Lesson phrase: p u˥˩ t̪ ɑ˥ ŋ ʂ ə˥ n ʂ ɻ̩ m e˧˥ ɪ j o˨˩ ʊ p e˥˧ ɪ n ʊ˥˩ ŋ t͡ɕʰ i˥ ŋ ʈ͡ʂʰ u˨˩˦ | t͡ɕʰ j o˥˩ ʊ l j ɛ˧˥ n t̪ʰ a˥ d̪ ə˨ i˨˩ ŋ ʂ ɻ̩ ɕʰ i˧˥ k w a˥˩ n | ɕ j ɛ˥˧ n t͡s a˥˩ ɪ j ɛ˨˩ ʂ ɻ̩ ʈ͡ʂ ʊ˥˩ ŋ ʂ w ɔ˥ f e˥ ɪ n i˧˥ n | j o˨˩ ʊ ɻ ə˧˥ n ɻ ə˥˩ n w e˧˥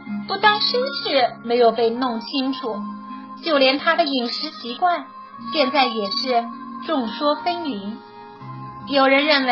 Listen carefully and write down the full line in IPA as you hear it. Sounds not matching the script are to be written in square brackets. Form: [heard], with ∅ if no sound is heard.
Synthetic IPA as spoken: p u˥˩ t̪ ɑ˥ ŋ ʂ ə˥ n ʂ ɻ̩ m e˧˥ ɪ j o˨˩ ʊ p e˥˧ ɪ n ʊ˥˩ ŋ t͡ɕʰ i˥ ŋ ʈ͡ʂʰ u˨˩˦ | [t͡ɕ] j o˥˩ ʊ l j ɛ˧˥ n t̪ʰ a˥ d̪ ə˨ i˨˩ ŋ ʂ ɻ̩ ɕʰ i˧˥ k w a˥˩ n | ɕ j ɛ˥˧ n t͡s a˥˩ ɪ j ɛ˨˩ ʂ ɻ̩ ʈ͡ʂ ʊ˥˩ ŋ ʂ w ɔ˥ f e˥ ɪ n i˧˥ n | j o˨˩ ʊ ɻ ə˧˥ n ɻ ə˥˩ n w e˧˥